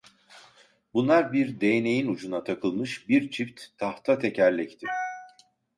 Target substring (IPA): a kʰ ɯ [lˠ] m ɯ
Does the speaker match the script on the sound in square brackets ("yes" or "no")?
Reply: yes